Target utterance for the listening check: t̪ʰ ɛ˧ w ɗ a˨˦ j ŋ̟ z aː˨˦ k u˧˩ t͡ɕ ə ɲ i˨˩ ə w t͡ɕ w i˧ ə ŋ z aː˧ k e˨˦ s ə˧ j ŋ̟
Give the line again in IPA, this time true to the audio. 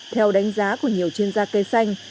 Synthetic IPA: t̪ʰ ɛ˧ w ɗ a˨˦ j ŋ̟ z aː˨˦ k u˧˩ ə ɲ i˨˩ ə w t͡ɕ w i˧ ə n z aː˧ k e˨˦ s a˧ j ŋ̟